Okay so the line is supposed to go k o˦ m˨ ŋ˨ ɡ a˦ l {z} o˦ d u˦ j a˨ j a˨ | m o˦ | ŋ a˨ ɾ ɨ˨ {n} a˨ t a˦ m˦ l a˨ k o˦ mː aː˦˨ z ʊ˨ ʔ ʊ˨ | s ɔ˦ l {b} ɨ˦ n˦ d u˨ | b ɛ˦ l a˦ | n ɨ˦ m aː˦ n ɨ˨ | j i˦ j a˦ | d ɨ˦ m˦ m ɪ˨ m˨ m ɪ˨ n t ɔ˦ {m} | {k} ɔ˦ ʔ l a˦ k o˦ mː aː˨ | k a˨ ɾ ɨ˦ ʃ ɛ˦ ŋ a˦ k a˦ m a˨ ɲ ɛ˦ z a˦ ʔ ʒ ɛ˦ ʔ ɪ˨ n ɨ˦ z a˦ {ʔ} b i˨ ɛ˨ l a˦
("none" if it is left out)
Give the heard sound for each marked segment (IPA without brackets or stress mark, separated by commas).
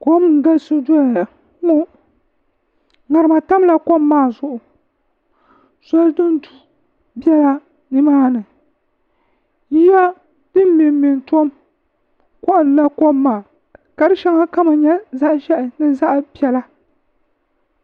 s, m, d, m, k, ʔ